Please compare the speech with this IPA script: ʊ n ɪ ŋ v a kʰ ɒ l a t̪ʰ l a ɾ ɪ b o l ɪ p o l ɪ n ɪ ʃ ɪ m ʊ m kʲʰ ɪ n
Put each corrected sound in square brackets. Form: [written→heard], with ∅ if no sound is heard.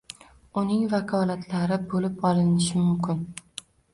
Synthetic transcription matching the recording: ʊ n ɪ ŋ v a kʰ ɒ l a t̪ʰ l a ɾ ɪ b o l ɪ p [o→ɒ] l ɪ n ɪ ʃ ɪ m ʊ m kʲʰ ɪ n